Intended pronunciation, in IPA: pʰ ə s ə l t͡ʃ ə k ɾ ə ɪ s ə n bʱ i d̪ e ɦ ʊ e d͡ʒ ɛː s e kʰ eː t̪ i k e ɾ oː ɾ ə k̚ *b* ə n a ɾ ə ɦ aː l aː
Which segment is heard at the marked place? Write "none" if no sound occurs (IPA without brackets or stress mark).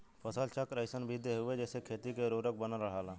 b